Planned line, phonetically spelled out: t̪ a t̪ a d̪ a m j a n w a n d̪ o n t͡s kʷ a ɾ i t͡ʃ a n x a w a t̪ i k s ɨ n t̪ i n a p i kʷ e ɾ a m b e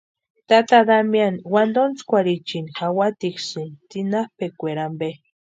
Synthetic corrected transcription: t̪ a t̪ a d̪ a m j a n w a n d̪ o n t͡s kʷ a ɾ i t͡ʃ i n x a w a t̪ i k s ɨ n t̪ i n a p e kʷ e ɾ a m b e